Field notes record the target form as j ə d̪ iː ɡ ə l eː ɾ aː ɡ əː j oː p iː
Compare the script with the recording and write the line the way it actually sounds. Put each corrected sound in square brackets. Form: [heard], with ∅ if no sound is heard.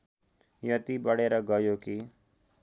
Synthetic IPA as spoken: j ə [t̪] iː [b] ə [ɽ] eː ɾ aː ɡ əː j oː [k] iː

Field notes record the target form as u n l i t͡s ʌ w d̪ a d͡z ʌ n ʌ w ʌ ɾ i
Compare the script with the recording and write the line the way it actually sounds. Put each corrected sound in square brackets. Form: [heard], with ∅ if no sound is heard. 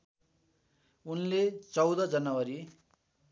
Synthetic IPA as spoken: u n l [e] t͡s ʌ w d̪ [ʌ] d͡z ʌ n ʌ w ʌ ɾ i

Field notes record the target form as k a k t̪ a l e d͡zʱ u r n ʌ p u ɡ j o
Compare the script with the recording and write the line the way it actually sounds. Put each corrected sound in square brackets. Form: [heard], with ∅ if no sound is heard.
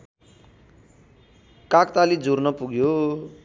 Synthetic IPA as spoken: k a k t̪ a l [i] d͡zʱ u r n ʌ p u ɡ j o

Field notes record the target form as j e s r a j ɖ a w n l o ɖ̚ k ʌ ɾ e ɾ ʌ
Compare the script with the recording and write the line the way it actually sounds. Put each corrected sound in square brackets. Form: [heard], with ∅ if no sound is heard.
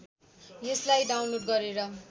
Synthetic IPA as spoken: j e s [l] a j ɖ a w n l o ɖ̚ [ɡ] ʌ ɾ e ɾ ʌ

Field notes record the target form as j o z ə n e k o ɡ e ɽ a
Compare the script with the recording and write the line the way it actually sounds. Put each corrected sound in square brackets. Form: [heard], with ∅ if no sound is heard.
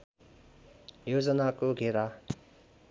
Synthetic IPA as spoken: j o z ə n [a] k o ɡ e [ɾ] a

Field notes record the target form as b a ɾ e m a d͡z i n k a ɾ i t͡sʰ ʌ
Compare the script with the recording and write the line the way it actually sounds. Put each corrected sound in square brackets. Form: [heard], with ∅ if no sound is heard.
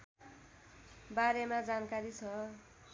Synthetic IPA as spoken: b a ɾ e m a d͡z [a] n k a ɾ i t͡sʰ ʌ

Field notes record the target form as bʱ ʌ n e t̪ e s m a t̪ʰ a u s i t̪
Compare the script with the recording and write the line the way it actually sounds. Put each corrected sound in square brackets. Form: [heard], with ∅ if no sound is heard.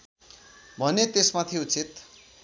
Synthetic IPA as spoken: bʱ ʌ n e t̪ e s m a t̪ʰ [i] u [t͡s] i t̪

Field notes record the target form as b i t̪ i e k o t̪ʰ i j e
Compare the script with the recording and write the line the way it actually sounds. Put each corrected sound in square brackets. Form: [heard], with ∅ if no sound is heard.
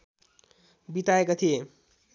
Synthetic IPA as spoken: b i t̪ [a] e k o t̪ʰ i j e

